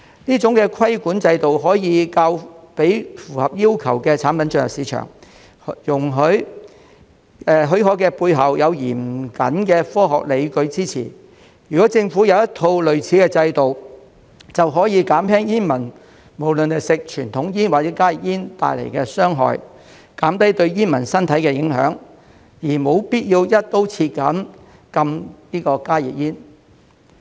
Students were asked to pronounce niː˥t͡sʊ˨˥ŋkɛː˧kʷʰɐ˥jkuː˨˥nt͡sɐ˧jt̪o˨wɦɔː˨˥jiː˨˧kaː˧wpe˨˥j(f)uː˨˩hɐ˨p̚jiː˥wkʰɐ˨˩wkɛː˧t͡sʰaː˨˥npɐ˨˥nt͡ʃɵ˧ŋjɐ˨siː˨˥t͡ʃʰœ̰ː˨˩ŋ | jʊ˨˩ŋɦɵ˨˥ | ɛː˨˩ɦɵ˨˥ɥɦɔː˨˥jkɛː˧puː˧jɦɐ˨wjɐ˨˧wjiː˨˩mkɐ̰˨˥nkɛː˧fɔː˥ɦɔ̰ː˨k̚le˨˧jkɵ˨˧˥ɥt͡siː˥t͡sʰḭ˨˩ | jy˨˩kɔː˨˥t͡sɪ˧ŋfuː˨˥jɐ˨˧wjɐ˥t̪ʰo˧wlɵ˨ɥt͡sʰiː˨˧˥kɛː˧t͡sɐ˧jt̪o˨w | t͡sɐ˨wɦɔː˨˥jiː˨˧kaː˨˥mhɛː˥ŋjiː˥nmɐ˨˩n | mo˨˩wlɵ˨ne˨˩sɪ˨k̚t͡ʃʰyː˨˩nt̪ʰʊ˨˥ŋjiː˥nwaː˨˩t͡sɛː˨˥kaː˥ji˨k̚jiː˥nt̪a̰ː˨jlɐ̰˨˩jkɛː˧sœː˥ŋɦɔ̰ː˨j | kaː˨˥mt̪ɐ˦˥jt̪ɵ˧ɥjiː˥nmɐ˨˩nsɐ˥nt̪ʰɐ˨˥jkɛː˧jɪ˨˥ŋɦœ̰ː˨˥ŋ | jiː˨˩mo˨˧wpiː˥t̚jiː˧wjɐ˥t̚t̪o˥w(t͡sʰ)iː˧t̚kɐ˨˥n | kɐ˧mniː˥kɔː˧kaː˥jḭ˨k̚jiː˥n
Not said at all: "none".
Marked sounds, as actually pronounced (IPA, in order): f, t͡sʰ

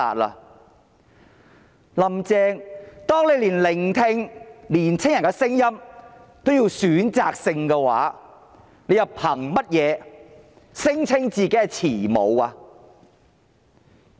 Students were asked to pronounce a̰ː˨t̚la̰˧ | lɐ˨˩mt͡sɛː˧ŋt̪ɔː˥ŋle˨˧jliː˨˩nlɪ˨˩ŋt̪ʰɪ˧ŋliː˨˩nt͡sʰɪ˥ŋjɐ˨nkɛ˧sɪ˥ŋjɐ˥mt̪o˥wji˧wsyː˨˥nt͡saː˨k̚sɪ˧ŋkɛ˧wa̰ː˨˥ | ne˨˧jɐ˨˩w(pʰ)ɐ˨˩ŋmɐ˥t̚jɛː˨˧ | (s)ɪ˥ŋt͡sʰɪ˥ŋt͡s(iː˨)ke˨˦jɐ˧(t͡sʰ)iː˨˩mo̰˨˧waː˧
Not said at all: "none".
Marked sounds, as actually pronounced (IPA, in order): pʰ, s, iː˨, t͡sʰ

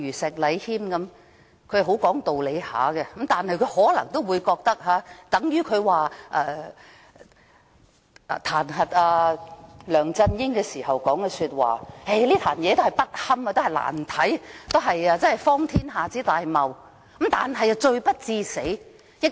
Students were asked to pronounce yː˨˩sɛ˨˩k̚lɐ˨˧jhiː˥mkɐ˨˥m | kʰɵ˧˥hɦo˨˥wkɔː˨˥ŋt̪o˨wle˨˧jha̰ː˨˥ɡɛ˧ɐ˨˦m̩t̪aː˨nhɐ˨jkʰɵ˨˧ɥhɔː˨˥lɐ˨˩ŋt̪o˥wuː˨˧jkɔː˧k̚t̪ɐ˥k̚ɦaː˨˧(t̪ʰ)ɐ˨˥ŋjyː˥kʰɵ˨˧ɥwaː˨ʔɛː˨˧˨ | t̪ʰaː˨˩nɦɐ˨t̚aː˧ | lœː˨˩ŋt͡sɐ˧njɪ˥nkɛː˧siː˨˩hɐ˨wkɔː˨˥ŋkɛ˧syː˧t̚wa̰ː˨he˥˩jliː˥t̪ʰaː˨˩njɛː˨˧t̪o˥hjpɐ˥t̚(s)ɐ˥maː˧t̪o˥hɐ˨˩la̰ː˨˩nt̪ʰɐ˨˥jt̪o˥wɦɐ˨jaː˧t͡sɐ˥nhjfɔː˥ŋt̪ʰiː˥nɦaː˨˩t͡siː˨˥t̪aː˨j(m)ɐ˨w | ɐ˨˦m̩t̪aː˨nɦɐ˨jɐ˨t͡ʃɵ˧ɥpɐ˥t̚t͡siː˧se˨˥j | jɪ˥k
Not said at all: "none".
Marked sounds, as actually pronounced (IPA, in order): t̪, h, m

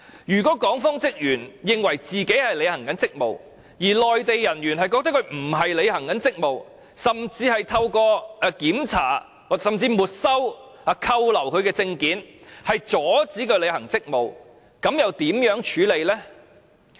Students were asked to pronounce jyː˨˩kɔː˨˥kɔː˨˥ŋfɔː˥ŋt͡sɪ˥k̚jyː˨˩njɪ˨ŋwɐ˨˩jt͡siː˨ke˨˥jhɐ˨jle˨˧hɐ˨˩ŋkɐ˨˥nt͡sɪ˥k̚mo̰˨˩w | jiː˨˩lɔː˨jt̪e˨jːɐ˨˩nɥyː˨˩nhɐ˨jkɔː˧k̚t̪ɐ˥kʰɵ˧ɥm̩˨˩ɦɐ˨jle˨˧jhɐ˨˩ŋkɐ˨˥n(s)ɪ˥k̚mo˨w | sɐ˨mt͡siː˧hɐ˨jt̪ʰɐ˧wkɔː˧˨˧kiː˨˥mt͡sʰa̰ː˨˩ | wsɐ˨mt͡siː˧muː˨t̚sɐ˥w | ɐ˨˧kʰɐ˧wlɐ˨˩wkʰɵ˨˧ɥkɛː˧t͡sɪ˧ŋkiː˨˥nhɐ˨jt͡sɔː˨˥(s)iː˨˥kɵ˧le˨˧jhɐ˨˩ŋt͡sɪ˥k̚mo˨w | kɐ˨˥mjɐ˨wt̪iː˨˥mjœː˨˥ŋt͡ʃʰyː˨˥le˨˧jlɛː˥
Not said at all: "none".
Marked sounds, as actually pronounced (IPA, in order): t͡s, t͡s

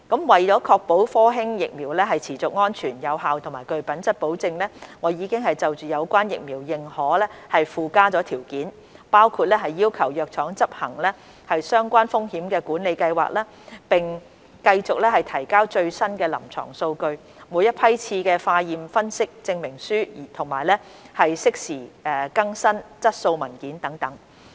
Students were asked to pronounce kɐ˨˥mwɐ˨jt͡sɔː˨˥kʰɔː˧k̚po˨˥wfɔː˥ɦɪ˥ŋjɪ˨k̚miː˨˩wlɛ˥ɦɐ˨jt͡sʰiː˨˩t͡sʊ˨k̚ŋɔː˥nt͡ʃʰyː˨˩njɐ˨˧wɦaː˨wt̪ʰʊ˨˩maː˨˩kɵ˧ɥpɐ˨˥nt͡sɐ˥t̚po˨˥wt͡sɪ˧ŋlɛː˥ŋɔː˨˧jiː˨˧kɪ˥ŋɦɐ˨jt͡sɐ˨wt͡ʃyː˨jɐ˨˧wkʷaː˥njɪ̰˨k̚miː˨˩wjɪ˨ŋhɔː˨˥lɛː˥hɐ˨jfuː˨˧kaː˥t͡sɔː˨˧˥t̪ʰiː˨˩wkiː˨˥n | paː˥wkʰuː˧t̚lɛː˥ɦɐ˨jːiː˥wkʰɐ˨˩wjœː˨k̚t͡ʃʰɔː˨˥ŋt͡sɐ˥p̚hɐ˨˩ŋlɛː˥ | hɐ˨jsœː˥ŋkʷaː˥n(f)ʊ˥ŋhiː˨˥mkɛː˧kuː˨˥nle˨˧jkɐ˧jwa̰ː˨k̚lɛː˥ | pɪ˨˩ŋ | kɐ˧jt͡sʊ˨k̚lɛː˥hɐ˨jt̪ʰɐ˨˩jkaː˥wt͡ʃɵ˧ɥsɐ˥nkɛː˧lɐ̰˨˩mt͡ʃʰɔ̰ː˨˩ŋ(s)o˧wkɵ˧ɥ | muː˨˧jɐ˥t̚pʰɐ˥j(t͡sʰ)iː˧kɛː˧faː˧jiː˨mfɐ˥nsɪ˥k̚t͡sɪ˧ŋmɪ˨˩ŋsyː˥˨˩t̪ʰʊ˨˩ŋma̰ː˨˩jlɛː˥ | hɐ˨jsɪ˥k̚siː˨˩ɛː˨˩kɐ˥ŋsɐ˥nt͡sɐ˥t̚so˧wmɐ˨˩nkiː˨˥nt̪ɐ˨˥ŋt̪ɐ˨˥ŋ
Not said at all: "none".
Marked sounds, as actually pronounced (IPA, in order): f, s, t͡sʰ

